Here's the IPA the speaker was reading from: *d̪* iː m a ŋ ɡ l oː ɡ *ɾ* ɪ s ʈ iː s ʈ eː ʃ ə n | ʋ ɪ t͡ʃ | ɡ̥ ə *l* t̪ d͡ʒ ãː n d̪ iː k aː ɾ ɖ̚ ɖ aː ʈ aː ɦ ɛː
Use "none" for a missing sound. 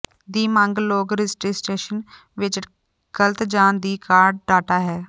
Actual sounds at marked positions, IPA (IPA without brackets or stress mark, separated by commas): d̪, ɾ, l